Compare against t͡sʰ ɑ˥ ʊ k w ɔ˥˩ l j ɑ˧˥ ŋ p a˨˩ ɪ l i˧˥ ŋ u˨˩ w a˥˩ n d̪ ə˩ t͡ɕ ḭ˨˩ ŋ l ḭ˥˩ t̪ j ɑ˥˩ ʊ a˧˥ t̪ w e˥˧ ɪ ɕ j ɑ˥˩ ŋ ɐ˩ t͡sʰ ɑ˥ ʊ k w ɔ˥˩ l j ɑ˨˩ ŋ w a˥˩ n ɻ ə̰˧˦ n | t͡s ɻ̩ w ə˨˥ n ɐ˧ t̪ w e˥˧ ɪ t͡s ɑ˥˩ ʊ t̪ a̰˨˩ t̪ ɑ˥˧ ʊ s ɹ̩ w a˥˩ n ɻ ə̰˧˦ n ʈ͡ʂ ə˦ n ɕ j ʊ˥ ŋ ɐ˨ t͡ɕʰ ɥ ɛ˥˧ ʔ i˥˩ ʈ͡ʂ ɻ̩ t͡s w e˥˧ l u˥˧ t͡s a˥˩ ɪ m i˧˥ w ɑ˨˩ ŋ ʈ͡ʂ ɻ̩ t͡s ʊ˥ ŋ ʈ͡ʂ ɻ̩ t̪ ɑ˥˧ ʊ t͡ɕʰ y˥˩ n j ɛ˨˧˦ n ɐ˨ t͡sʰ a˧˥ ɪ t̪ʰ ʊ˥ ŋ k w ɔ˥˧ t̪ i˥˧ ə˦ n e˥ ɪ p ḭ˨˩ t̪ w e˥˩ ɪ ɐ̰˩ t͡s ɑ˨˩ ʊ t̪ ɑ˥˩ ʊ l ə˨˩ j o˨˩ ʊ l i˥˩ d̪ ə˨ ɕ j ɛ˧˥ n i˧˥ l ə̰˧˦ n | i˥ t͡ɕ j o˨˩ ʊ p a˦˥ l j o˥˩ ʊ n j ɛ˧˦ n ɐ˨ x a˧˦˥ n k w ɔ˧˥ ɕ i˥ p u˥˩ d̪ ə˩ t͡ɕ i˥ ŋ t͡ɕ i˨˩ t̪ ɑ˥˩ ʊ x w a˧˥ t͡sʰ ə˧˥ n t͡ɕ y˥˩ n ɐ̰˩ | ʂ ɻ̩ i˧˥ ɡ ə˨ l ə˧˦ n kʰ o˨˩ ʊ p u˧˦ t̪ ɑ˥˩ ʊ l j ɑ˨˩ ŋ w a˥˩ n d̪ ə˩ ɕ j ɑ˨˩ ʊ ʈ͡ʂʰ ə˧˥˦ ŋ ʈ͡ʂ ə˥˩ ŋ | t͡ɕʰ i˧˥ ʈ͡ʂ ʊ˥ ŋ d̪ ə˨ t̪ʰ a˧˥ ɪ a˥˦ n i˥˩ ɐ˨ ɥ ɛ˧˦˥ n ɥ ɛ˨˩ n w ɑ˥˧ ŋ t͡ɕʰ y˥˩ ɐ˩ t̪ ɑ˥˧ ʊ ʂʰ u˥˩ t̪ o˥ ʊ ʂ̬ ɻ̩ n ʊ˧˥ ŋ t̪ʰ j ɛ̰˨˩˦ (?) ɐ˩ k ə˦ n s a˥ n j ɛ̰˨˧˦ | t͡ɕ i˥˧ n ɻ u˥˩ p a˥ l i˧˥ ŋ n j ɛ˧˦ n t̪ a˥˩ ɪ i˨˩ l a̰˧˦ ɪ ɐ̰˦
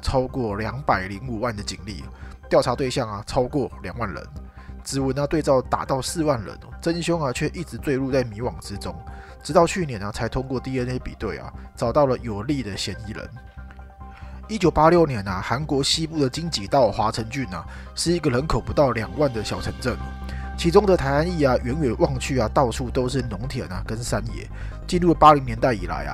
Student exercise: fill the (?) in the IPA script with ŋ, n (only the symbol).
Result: n